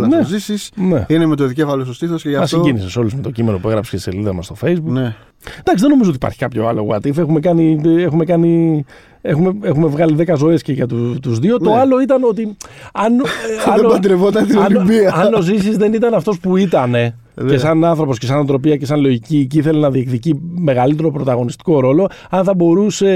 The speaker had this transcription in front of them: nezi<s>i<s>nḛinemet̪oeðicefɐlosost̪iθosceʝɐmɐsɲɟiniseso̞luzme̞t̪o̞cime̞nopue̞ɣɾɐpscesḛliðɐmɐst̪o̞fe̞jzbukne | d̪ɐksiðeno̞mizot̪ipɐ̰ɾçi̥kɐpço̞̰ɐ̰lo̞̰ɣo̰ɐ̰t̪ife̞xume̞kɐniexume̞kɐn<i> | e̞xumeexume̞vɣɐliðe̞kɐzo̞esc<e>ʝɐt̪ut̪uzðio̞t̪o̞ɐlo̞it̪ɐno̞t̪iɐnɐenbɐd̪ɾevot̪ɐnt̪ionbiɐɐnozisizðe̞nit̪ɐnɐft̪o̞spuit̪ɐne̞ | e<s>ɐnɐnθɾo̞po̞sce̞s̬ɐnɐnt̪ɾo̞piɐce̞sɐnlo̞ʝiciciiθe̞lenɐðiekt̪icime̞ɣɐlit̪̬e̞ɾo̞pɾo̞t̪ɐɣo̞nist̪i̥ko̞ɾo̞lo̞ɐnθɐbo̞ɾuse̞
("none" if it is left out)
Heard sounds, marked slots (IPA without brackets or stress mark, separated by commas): s, s, i, e, s